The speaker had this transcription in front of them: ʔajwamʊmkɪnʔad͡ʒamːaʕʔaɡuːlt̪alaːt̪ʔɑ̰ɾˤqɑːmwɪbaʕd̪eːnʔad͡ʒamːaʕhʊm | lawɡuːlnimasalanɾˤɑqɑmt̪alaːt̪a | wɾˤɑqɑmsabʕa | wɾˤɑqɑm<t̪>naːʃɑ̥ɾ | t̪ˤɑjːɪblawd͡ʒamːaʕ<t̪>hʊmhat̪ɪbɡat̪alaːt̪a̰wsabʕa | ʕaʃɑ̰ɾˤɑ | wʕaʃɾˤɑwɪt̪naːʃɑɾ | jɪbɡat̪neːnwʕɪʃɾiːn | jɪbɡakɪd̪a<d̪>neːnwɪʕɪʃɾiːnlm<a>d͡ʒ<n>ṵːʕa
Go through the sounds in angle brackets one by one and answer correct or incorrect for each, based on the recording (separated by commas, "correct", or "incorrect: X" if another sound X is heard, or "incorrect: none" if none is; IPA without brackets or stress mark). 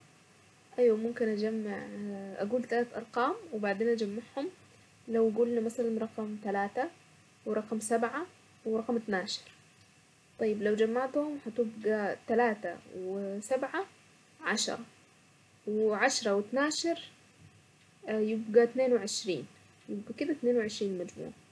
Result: correct, correct, incorrect: t̪, correct, incorrect: m